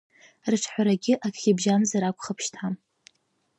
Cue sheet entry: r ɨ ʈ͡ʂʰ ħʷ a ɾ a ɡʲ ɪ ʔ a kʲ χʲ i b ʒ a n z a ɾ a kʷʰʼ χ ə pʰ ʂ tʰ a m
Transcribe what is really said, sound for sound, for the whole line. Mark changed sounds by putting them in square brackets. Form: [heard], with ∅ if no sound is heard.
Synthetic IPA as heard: r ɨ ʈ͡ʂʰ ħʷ a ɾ a ɡʲ ɪ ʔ a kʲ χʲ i b ʒ a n z a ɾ a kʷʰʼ χ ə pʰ [ʃ] tʰ a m

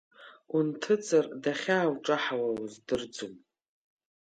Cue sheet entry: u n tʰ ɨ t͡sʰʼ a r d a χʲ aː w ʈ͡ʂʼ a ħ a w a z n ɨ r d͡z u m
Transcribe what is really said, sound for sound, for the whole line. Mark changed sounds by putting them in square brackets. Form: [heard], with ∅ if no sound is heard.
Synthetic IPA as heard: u n tʰ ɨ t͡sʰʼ a r d a χʲ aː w ʈ͡ʂʼ a ħ a w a z [d] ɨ r d͡z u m

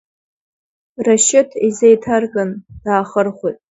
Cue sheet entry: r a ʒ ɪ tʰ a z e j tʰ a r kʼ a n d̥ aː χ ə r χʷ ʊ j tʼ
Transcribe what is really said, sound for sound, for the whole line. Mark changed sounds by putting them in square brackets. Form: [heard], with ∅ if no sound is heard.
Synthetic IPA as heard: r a [ʃ] ɪ tʰ [i] z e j tʰ a r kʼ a n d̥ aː χ ə r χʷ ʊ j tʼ

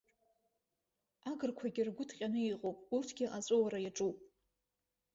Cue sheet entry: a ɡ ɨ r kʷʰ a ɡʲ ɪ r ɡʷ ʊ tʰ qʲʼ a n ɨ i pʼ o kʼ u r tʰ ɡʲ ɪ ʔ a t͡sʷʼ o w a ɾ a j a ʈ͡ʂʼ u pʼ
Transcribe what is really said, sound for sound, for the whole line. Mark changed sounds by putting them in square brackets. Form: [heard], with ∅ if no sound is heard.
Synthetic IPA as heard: a ɡ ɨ r kʷʰ a ɡʲ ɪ r ɡʷ ʊ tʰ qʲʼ a n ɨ i [qʼ] o [pʼ] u r tʰ ɡʲ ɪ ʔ a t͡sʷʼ o w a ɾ a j a ʈ͡ʂʼ u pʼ

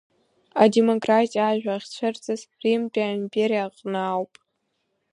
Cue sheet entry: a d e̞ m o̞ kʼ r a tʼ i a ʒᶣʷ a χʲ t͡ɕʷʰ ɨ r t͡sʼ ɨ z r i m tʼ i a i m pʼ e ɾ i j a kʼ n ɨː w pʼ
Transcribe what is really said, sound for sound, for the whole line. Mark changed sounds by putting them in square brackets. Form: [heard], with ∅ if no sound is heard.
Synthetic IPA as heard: a d e̞ m o̞ kʼ r a tʼ i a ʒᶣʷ a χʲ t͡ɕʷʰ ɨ r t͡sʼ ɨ z r i m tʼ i a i m pʼ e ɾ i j a [qʼ] n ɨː w pʼ

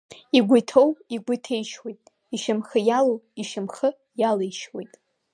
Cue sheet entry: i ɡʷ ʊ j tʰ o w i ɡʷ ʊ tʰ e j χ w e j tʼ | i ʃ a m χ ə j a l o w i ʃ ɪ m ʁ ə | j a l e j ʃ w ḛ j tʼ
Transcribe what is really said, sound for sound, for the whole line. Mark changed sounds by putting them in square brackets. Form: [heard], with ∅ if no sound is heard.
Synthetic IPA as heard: i ɡʷ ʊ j tʰ o w i ɡʷ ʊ tʰ e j [ʃ] w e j tʼ | i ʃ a m χ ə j a l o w i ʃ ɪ m [χ] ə | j a l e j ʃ w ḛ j tʼ

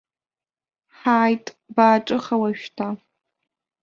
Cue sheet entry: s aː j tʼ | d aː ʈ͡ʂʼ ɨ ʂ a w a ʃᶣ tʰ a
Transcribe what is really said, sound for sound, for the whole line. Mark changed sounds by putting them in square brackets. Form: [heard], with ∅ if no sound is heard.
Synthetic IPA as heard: [ħ] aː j tʼ | [b] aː ʈ͡ʂʼ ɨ [χ] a w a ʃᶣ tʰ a

